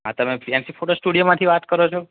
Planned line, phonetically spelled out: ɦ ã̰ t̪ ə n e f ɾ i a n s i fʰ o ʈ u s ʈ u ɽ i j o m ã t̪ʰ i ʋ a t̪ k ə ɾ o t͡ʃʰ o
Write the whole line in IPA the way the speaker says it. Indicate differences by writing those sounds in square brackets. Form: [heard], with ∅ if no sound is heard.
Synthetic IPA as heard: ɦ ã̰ t̪ ə [m] e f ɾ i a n s i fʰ o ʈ [o] s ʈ u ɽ i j o m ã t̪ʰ i ʋ a t̪ k ə ɾ o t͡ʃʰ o